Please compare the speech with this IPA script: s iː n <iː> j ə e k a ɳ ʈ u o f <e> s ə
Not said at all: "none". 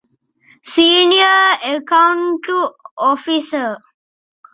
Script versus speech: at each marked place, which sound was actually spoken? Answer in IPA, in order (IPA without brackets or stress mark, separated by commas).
i, i